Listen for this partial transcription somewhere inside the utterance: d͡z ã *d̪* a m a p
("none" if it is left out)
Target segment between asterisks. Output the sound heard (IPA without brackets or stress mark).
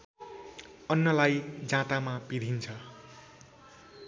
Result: t̪